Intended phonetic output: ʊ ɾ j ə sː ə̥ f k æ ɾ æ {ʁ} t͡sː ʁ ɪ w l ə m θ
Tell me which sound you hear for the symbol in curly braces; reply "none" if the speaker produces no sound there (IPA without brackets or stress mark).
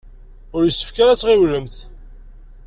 none